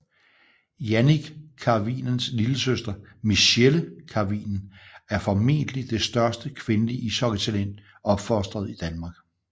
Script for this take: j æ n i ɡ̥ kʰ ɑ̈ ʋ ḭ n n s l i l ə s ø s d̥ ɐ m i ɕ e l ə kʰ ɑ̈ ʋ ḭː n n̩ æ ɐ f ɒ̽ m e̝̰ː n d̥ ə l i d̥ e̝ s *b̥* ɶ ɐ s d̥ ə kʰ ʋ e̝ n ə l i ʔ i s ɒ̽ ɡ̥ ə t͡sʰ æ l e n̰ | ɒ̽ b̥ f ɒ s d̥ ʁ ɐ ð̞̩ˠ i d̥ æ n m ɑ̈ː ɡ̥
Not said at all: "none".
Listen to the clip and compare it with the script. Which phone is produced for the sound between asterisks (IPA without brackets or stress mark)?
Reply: d̥